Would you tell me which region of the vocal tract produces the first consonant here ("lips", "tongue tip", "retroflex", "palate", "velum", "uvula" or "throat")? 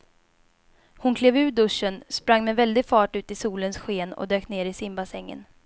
throat